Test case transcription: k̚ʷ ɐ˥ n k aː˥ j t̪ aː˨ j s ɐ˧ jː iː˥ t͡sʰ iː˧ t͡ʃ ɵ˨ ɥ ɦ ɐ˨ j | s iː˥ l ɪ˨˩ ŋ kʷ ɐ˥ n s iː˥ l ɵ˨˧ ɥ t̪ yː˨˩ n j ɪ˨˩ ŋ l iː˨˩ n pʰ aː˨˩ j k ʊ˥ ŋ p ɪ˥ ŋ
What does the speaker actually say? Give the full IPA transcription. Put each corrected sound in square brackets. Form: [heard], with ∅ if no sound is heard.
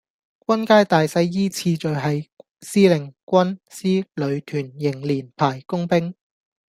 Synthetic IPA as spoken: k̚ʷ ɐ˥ n k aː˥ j t̪ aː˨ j s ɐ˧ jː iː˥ t͡sʰ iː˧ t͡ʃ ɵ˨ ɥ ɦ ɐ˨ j | s iː˥ l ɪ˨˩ ŋ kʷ ɐ˥ n s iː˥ l ɵ˨˧ ɥ [t̪ʰ] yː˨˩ n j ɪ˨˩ ŋ l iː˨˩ n pʰ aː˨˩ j k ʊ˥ ŋ p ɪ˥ ŋ